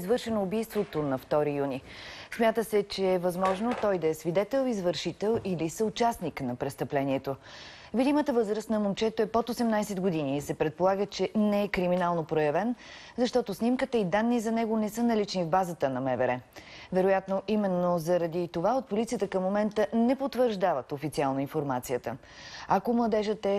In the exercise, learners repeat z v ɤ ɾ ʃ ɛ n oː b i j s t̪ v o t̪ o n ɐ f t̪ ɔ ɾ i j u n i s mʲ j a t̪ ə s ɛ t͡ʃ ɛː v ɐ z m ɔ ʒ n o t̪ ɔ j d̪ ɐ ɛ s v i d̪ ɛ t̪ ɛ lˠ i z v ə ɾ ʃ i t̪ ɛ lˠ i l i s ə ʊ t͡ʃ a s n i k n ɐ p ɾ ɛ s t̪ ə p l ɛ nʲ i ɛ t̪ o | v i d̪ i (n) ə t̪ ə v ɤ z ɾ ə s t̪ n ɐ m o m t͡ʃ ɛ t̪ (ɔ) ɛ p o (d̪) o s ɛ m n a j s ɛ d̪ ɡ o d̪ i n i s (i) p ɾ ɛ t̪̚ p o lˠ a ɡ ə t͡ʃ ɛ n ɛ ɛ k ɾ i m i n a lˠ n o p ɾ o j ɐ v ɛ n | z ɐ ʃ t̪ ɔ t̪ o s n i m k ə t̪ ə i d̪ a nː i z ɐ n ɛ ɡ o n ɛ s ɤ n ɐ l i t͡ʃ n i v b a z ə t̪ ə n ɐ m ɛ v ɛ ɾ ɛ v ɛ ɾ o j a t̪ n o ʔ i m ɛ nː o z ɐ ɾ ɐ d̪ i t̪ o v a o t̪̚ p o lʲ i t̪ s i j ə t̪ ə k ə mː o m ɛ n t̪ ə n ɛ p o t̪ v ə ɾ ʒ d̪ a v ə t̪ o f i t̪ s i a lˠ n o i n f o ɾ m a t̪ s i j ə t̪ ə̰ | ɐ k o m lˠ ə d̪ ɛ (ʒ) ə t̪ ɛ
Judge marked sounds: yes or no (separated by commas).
no, no, no, no, yes